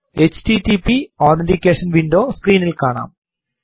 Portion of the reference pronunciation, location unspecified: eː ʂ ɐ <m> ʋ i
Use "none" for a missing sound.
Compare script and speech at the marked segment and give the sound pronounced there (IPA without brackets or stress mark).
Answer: n